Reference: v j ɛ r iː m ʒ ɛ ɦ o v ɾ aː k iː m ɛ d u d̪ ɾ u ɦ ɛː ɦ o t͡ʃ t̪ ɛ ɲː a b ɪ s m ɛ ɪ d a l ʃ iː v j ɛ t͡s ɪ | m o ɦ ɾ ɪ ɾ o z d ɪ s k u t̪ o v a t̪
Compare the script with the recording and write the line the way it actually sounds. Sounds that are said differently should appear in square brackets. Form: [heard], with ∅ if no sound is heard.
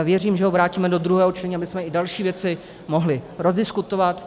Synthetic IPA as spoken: v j ɛ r iː m ʒ ɛ ɦ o v ɾ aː [c] iː m ɛ d [o] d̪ ɾ u ɦ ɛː ɦ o t͡ʃ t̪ ɛ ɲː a b ɪ s m ɛ ɪ d a l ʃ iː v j ɛ t͡s ɪ | m o ɦ [l] ɪ ɾ o z d ɪ s k u t̪ o v a t̪